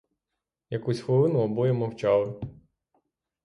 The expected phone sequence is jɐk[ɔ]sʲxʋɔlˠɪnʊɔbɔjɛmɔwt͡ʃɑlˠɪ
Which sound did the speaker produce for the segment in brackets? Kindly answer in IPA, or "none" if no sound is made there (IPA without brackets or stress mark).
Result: u